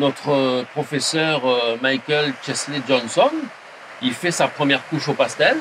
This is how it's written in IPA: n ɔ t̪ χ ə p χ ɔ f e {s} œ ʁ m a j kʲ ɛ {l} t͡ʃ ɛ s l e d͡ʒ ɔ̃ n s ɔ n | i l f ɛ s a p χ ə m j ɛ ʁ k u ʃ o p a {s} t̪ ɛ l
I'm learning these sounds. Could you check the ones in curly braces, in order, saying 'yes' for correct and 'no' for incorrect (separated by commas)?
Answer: yes, yes, yes